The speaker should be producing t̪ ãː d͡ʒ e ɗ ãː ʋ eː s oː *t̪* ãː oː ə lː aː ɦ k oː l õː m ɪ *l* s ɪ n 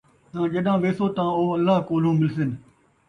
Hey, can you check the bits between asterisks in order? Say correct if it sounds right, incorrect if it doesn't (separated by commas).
correct, correct